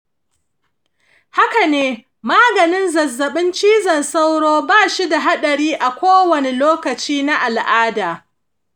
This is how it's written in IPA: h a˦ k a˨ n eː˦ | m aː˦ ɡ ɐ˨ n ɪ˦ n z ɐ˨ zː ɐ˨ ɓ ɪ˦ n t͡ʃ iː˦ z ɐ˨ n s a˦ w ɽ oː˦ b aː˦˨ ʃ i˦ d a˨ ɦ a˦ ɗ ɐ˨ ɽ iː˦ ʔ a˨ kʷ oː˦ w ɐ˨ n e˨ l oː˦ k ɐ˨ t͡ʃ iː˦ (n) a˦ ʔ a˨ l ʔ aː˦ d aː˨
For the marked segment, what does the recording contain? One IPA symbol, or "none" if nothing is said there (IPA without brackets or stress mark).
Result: n